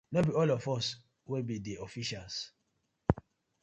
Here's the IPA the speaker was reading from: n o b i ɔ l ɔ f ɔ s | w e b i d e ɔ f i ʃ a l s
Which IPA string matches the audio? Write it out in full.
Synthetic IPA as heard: n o b i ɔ l ɔ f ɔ s | w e b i d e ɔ f i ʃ a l s